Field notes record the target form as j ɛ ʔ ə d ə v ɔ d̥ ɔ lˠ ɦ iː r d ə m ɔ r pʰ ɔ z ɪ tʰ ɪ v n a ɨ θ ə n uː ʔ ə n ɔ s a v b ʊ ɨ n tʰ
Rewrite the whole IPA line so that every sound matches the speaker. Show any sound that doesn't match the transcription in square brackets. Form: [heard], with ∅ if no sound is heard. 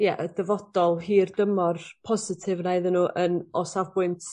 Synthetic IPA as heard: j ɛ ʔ ə d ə v ɔ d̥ ɔ lˠ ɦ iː r d ə m ɔ r pʰ ɔ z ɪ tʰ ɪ v n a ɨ [ð] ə n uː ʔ ə n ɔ s a v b ʊ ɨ n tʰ